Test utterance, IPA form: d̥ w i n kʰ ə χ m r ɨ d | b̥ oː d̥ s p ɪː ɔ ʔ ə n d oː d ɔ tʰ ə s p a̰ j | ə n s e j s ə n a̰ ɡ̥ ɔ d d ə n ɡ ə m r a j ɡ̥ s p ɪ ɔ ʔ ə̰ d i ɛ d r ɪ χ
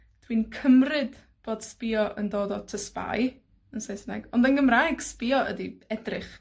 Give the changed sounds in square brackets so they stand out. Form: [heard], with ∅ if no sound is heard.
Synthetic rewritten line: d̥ w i n kʰ ə [∅] m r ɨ d | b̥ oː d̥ s p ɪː ɔ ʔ ə n d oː d ɔ tʰ ə s p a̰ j | ə n s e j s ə n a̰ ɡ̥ ɔ [n] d ə n ɡ ə m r a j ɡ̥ s p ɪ ɔ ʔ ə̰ d i ɛ d r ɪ χ